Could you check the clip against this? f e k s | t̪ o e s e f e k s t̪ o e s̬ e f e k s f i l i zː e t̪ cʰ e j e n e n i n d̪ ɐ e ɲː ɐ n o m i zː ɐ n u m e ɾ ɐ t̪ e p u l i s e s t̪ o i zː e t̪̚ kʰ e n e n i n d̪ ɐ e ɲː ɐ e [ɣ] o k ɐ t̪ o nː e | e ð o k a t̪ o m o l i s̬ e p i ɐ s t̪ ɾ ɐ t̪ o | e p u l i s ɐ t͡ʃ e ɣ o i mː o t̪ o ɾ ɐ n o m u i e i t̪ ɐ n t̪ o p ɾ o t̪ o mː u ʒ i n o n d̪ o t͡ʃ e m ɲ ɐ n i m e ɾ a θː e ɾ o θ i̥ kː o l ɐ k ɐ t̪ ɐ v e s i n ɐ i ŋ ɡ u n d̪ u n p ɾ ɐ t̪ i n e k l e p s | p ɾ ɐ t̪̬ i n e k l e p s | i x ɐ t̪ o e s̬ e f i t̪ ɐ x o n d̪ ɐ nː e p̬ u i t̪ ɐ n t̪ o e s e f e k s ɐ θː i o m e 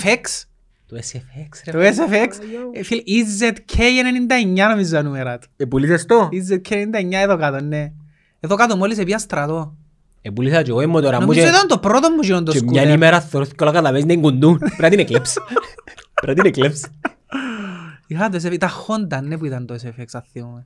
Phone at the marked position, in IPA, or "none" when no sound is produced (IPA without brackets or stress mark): ð